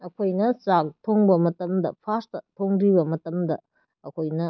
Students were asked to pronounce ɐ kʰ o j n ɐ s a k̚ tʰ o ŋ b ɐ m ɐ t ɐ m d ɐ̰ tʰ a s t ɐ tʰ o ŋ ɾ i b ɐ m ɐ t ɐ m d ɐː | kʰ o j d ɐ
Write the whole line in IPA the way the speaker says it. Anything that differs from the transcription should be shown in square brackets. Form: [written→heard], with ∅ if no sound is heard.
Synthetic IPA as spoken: ɐ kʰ o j n ɐ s a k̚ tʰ o ŋ b ɐ m ɐ t ɐ m d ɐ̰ [tʰ→pʰ] a s t ɐ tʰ o ŋ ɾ i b ɐ m ɐ t ɐ m d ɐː | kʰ o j [d→n] ɐ